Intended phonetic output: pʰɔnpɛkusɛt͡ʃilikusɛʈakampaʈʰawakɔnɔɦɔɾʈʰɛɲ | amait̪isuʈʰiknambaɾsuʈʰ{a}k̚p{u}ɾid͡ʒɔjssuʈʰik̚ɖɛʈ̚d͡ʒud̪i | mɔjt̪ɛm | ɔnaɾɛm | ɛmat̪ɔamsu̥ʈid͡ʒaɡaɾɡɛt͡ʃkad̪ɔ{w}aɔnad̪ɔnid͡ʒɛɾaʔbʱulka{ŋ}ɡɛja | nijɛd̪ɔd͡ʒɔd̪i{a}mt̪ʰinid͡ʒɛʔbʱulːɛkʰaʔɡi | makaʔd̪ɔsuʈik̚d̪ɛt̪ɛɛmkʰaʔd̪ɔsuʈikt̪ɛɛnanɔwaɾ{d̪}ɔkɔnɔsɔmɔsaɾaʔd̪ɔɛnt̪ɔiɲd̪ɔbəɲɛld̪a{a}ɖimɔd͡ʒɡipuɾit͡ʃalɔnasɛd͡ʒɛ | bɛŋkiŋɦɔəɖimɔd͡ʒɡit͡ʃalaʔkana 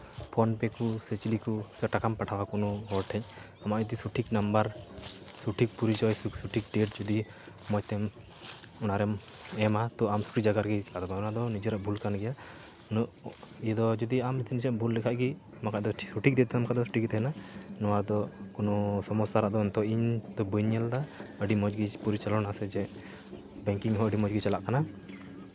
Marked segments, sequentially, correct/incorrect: incorrect: i, correct, incorrect: b, incorrect: n, correct, correct, incorrect: ə

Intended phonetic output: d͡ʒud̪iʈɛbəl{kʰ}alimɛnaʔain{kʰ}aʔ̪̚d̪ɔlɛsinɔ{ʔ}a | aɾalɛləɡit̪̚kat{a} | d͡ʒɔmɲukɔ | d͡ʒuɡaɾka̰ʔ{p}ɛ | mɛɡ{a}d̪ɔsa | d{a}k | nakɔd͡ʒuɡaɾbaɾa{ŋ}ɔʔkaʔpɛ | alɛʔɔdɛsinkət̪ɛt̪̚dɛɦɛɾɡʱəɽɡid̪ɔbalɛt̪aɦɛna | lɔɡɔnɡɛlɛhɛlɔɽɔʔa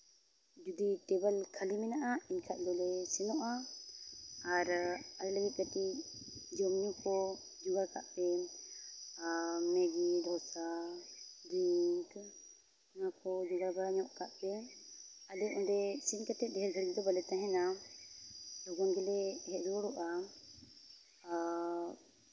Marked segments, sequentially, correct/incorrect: correct, correct, correct, incorrect: i, correct, incorrect: i, incorrect: i, incorrect: ɲ

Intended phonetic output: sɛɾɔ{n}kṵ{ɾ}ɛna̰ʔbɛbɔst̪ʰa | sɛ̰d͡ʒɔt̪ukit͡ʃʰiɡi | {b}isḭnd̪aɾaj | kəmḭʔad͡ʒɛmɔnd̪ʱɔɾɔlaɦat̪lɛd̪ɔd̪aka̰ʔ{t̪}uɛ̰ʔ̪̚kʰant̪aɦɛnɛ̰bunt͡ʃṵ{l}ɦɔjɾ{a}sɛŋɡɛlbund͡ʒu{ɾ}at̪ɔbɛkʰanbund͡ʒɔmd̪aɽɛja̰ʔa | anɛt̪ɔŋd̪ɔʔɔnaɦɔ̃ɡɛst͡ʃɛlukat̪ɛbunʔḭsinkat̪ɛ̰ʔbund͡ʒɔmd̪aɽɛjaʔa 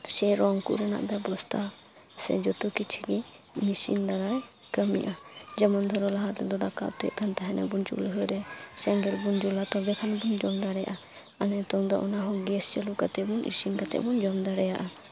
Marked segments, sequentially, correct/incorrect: incorrect: ŋ, correct, incorrect: m, correct, correct, incorrect: ɛ, incorrect: l

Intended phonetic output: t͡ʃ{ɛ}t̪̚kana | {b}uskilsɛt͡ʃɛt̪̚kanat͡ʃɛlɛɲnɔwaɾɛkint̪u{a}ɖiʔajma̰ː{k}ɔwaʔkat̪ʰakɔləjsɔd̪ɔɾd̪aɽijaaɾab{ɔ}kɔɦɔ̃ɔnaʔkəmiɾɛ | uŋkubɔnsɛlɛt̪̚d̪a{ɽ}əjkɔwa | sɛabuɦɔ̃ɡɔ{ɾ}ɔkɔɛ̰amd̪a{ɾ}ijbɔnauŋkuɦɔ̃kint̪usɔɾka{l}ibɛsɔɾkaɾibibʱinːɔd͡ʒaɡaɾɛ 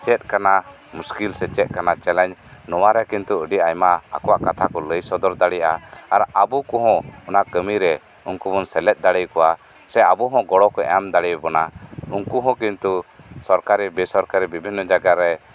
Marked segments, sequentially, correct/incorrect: correct, incorrect: m, incorrect: ə, correct, incorrect: u, correct, incorrect: ɽ, incorrect: ɽ, incorrect: ɾ

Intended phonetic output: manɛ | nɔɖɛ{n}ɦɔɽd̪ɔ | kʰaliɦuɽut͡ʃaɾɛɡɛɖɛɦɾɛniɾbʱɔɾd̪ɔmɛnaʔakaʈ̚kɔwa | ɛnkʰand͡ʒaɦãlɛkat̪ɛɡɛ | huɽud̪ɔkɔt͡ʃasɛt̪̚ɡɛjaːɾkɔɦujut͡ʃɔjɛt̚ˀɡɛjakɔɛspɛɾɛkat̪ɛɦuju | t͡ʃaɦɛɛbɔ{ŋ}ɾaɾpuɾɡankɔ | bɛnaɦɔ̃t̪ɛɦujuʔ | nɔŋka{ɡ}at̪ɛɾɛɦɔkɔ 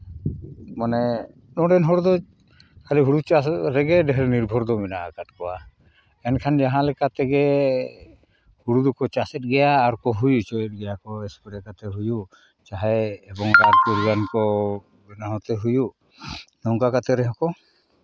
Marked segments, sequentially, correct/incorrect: correct, correct, incorrect: k

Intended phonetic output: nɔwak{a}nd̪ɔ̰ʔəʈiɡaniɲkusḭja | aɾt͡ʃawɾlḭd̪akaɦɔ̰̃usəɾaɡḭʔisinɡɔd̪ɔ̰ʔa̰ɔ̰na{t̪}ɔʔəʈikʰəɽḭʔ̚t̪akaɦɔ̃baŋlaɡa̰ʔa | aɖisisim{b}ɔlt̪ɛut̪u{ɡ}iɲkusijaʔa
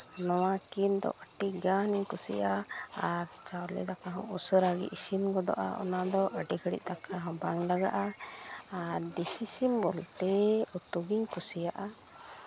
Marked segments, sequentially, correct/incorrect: incorrect: i, incorrect: d̪, correct, correct

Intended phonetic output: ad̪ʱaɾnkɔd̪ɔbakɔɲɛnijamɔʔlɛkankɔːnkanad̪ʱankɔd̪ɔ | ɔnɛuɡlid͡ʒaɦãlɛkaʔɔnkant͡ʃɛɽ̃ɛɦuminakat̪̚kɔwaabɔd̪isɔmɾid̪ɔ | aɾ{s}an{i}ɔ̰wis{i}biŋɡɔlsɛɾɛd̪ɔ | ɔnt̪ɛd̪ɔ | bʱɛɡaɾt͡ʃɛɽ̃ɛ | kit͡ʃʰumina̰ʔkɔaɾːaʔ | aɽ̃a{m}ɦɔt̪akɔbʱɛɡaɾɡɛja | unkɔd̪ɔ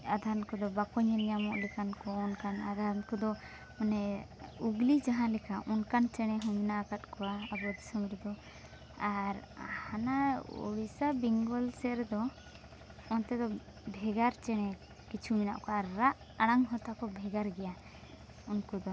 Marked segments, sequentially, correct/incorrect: incorrect: h, incorrect: a, incorrect: a, incorrect: ŋ

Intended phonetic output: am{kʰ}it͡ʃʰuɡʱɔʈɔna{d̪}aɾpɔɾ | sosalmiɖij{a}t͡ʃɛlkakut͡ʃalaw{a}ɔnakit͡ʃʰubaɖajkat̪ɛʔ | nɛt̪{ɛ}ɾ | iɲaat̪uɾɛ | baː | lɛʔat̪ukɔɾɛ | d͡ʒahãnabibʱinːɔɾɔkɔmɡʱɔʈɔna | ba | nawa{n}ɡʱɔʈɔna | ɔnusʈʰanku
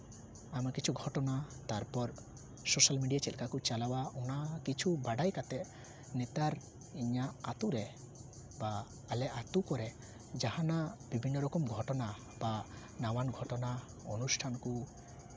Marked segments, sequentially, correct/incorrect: incorrect: k, incorrect: t̪, correct, correct, incorrect: a, correct

